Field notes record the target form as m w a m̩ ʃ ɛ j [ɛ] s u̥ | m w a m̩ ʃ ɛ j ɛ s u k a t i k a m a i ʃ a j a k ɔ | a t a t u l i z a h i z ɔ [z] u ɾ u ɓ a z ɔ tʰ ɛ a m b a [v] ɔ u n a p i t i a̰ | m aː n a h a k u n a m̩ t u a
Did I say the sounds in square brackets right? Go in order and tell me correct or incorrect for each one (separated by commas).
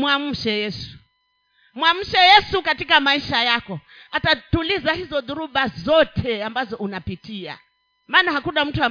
correct, incorrect, incorrect